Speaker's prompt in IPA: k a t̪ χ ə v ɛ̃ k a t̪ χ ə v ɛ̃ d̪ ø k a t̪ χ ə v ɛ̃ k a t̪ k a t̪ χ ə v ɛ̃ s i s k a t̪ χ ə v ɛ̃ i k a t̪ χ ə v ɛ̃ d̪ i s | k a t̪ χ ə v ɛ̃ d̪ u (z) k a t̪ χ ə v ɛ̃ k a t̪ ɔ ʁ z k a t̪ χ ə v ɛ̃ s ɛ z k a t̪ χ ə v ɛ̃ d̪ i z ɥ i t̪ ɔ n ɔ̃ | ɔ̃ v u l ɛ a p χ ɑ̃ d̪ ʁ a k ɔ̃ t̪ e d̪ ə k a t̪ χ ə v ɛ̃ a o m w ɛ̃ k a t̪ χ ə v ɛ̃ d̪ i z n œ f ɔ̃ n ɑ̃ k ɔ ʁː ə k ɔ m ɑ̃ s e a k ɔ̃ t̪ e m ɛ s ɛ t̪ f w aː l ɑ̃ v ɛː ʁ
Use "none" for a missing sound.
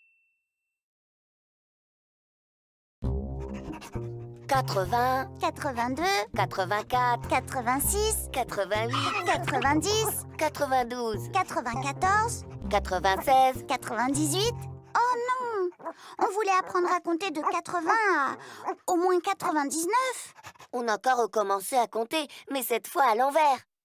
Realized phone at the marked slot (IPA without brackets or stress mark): z